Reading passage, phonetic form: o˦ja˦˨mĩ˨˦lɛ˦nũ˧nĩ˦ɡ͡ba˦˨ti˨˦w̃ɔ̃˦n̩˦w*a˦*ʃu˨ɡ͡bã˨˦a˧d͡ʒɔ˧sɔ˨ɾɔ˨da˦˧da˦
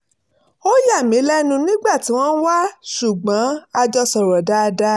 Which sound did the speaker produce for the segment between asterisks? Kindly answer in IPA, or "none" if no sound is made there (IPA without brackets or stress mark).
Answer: a˦